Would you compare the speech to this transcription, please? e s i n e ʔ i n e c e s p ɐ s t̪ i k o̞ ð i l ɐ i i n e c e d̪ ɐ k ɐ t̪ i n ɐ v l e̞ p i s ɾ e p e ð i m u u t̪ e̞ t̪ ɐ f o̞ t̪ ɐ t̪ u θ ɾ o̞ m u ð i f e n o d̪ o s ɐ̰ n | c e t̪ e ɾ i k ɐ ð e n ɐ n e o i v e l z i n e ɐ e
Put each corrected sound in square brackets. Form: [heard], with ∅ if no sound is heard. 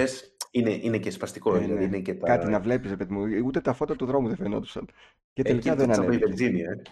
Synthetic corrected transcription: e s i n e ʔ i n e c e s p ɐ s t̪ i k o̞ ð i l ɐ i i n e c e [t̪] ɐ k ɐ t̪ i n ɐ v l e̞ p i s ɾ e p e ð i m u u t̪ e̞ t̪ ɐ f o̞ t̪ ɐ t̪ u [ð] ɾ o̞ m u ð [e] f e n o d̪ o s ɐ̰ n | c e t̪ e [l] i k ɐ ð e n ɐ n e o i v e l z i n [i] ɐ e